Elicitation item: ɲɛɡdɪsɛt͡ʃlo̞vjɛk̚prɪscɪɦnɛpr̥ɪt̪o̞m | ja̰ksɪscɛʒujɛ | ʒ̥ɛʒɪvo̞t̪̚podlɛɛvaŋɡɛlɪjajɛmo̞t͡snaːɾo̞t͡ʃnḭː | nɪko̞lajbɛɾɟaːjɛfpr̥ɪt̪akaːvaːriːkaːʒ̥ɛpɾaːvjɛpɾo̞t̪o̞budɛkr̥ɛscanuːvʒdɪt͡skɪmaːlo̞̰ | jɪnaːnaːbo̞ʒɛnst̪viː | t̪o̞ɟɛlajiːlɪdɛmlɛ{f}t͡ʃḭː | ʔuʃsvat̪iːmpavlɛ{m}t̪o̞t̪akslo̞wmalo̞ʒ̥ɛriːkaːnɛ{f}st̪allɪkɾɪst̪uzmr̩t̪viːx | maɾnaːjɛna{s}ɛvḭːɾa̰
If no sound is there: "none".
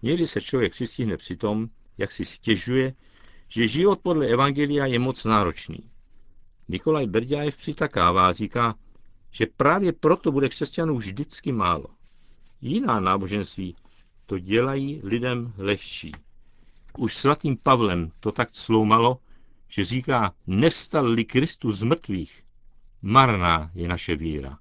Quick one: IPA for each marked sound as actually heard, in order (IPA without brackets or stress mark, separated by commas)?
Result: x, m, f, ʃ